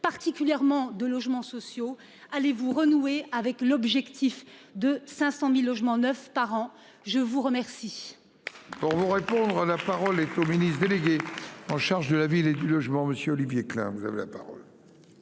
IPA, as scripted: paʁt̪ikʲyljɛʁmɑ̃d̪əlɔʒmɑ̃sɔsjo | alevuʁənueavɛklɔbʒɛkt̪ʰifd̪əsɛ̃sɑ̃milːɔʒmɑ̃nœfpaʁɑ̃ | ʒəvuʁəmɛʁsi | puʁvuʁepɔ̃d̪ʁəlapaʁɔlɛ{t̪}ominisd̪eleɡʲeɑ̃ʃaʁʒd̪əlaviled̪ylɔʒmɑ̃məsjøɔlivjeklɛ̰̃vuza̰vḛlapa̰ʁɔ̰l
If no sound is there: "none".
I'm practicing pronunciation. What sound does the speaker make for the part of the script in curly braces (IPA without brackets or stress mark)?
t̪